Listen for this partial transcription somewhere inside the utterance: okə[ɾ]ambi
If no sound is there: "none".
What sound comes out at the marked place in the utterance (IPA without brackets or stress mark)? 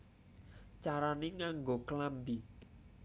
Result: l